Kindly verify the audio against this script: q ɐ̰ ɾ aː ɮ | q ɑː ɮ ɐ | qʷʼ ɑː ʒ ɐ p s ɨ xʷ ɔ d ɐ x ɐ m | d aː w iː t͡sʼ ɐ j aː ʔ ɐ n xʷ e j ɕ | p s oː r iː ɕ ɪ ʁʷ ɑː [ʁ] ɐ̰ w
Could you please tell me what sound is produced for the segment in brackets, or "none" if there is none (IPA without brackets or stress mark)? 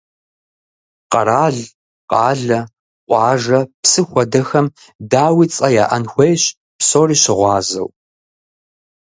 z